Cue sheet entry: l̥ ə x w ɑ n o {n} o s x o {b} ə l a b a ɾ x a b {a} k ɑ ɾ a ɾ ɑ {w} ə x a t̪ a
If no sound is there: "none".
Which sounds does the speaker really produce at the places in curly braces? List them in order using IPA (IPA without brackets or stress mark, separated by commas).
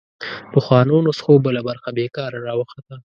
n, b, e, w